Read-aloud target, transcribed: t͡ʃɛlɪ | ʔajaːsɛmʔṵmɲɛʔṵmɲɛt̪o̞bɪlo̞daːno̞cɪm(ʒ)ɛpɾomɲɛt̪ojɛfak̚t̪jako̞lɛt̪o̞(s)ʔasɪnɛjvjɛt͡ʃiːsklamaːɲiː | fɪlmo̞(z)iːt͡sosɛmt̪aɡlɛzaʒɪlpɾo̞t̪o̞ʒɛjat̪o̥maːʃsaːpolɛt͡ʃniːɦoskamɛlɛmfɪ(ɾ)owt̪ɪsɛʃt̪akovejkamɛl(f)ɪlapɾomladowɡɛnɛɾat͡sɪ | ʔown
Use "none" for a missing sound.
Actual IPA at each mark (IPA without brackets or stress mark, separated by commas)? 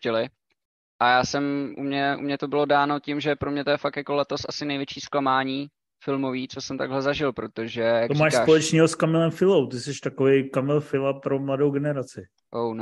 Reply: ʒ, s, v, l, f